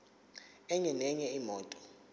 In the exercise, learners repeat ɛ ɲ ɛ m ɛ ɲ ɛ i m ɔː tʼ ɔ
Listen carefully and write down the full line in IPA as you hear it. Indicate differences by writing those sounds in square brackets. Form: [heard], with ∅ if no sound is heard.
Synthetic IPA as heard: ɛ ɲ ɛ [n] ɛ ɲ ɛ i m ɔː tʼ ɔ